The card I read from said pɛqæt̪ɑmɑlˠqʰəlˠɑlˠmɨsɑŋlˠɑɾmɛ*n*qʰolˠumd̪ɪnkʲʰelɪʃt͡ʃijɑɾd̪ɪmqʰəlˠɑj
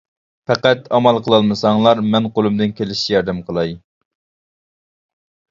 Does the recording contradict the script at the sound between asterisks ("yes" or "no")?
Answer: no